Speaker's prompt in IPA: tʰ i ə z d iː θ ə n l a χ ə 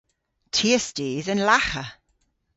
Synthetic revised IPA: tʰ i ə s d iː ð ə n l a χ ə

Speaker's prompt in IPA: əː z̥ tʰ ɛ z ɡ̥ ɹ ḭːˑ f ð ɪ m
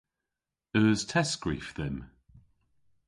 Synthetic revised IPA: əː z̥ tʰ ɛ s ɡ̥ ɹ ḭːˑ f ð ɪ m

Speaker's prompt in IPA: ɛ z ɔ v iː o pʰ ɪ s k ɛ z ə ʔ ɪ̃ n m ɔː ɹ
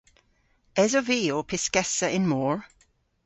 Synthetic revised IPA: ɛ z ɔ v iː o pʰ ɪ s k ɛ s ə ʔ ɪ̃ n m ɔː ɹ

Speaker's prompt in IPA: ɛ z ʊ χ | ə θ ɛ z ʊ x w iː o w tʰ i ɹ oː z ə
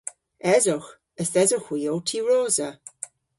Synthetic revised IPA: ɛ z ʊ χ | ə s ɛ z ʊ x w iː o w tʰ i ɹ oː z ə

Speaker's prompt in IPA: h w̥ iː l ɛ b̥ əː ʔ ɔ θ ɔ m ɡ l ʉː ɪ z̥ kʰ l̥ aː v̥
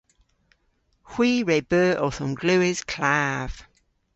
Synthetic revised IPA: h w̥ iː ɹ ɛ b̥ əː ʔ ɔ θ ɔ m ɡ l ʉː ɪ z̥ kʰ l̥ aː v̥

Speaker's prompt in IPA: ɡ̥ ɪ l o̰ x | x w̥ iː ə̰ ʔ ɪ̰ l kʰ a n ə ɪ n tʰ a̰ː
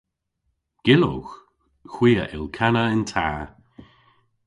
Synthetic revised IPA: ɡ̥ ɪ l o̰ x | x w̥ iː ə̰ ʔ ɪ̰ l kʰ a n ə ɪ n tʰ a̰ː

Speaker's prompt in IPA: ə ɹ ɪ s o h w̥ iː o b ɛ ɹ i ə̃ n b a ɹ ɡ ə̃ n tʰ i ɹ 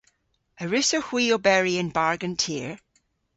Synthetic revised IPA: ə ɹ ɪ s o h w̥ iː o b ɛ ɹ i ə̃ n b a ɹ ɡ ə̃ n tʰ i ɹ

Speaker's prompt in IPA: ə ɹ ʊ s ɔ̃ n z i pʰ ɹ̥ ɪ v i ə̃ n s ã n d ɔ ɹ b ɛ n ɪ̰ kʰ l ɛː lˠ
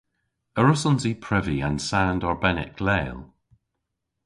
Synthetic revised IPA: ə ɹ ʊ s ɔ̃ n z i pʰ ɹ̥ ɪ v i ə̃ n s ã n d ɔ ɹ b ɛ n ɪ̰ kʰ l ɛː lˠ

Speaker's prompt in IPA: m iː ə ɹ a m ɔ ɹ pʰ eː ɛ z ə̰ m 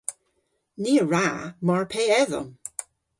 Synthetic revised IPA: n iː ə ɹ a m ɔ ɹ pʰ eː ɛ ð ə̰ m

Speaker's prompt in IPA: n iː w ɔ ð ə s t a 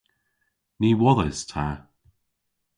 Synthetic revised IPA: n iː w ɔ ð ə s tʰ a

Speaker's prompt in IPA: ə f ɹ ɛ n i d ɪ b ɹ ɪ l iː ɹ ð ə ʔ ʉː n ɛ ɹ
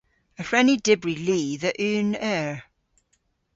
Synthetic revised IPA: ə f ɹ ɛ n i d ɪ b ɹ i l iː ð ə ʔ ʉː n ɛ ɹ

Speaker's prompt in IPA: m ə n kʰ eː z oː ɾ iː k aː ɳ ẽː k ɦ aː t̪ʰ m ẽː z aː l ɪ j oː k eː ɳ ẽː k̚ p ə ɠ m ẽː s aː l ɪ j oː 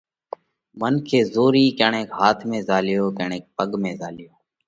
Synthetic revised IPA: m ə n kʰ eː z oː ɾ iː k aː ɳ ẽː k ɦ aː t̪ʰ m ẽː z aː l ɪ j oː k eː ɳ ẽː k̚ p ə ɠ m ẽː z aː l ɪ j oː

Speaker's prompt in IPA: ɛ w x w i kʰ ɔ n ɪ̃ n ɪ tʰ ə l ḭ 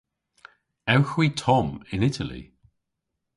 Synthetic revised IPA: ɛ w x w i tʰ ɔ m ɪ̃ n ɪ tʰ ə l ḭ

